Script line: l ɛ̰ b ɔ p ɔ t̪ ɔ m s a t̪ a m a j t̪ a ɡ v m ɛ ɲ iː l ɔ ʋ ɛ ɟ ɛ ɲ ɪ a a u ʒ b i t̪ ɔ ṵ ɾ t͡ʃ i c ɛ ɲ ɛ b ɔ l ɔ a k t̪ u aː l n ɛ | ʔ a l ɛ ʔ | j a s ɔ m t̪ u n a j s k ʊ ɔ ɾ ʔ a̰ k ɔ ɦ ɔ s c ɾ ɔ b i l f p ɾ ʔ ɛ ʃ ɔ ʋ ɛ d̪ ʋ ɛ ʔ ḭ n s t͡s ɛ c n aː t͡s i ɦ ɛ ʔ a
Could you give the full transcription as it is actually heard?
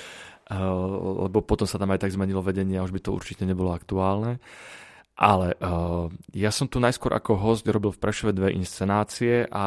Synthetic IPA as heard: l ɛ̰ b ɔ p ɔ t̪ ɔ m s a t̪ a m a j t̪ a ɡ z m ɛ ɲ i l ɔ ʋ ɛ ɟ ɛ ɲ ɪ ɛ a u ʒ b i t̪ ɔ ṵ ɾ t͡ʃ i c ɛ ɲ ɛ b ɔ l ɔ a k t̪ u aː l n ɛ | ʔ a l ɛ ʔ | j a s ɔ m t̪ u n a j s k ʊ ɔ ɾ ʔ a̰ k ɔ ɦ ɔ s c ɾ ɔ b i l f p ɾ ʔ ɛ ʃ ɔ ʋ ɛ d̪ ʋ ɛ ʔ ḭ n s t͡s ɛ n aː t͡s i ɛ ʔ a